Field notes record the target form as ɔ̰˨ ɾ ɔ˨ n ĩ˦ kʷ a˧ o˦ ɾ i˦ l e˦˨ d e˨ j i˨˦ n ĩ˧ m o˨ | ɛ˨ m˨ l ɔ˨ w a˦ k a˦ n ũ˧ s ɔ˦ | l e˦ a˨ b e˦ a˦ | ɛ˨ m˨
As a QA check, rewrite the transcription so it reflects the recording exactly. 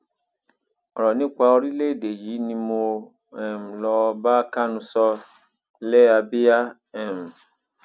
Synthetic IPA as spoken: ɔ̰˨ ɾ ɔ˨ n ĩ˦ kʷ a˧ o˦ ɾ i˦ l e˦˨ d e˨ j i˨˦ n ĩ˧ m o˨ | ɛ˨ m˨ l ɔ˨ b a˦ k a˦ n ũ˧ s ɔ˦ | l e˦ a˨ b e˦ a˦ | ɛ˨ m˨